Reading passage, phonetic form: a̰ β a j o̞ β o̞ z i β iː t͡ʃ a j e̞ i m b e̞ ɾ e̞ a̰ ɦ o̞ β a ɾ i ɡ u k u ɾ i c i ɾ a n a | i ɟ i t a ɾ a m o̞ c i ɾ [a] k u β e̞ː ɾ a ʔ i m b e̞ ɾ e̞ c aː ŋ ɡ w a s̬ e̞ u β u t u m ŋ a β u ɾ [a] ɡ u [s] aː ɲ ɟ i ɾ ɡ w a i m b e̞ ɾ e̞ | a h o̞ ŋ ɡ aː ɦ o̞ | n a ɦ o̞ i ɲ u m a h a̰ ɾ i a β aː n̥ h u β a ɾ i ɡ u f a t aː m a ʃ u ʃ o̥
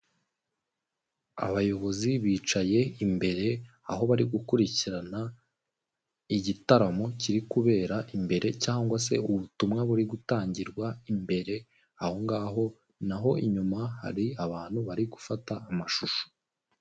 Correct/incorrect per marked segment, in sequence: incorrect, incorrect, incorrect

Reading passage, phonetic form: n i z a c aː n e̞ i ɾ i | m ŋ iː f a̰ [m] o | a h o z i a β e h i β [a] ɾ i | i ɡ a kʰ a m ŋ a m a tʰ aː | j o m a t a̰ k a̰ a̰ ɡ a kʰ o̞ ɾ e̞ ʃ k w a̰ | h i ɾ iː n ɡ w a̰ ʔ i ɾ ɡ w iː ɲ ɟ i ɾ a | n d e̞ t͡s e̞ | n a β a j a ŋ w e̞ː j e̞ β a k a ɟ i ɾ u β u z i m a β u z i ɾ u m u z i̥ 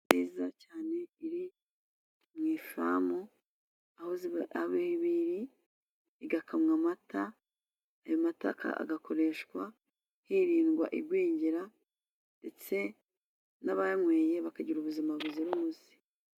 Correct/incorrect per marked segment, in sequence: correct, incorrect

